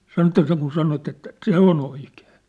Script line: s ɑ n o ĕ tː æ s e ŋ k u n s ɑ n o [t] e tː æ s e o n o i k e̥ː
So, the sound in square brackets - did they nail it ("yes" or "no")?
yes